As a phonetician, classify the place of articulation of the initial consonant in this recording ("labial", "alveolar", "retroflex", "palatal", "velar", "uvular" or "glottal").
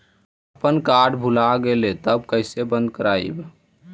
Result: labial